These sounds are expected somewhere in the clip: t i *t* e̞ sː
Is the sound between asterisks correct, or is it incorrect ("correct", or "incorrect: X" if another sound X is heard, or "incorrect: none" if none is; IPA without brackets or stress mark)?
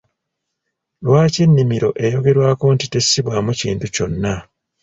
correct